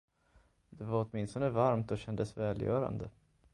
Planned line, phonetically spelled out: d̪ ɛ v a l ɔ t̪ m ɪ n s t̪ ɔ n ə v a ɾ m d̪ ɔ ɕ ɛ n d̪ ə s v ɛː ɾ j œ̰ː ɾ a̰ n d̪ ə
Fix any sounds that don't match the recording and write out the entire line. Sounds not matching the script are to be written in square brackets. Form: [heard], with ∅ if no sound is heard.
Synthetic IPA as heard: d̪ ɛ v a [ɾ] ɔ t̪ m ɪ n s t̪ ɔ n ə v a ɾ m [t̪] ɔ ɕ ɛ n d̪ ə s v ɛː [l] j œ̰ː ɾ a̰ n d̪ ə